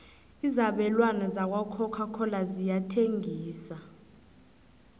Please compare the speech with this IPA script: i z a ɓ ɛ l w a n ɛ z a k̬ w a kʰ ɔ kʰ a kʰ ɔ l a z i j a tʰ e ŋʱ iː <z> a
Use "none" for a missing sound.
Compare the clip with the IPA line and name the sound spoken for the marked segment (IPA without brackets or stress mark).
s